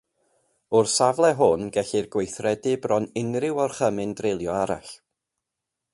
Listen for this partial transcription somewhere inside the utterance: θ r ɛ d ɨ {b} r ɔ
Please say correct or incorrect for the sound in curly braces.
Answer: correct